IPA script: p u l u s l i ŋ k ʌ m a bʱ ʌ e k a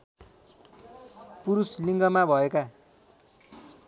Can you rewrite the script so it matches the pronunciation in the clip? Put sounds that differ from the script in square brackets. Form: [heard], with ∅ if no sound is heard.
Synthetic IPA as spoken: p u [ɾ] u s l i ŋ [ɡ] ʌ m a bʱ ʌ e k a